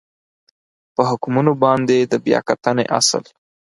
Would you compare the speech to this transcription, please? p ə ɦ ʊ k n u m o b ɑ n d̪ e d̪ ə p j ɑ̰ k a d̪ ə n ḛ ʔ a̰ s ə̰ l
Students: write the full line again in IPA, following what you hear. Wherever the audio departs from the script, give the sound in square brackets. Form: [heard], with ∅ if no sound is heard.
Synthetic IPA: p ə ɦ ʊ k [m] u [n] o b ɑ n d̪ e d̪ ə [b] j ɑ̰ k a [t̪] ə n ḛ ʔ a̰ s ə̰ l